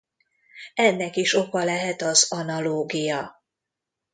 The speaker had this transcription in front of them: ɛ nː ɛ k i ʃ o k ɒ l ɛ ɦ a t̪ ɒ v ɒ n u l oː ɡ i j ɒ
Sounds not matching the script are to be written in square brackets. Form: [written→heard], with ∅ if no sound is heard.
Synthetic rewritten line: ɛ nː ɛ k i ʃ o k ɒ l ɛ ɦ [a→ɛ] t̪ ɒ [v→z] ɒ n [u→ɒ] l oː ɡ i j ɒ